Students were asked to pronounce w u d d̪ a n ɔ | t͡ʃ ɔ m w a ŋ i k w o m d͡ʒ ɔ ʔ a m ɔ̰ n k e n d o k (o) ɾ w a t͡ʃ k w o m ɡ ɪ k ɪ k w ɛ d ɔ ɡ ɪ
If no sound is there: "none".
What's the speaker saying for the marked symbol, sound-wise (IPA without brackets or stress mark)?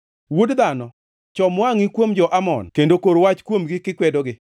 o